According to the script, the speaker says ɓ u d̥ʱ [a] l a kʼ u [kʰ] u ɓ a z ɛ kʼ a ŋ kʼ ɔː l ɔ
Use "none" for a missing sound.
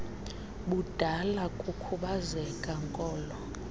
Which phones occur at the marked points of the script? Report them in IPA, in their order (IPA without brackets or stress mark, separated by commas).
a, kʰ